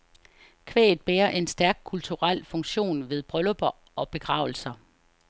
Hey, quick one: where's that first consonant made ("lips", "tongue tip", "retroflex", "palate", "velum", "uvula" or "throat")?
velum